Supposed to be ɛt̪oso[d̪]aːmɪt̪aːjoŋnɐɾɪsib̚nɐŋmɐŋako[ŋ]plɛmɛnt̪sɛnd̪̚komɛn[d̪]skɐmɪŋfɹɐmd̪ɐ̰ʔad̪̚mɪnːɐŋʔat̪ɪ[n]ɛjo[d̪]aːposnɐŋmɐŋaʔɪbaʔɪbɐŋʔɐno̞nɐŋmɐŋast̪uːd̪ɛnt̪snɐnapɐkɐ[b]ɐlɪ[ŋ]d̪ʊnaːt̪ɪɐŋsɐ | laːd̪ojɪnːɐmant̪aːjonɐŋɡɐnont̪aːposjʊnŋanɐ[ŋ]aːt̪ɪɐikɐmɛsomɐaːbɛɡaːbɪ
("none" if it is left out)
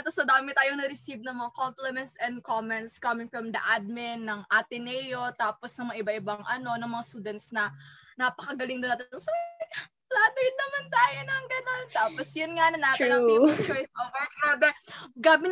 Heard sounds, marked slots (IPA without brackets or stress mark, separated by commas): d̪, m, t̪, n, t̪, ɡ, ŋ, n